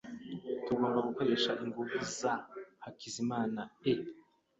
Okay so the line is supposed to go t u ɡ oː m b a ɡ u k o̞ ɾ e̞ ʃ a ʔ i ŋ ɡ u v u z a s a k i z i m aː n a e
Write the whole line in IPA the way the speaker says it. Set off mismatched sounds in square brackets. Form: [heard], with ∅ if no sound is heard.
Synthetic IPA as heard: t u ɡ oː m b a ɡ u k o̞ ɾ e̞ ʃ a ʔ i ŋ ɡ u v u z a [h] a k i z i m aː n a e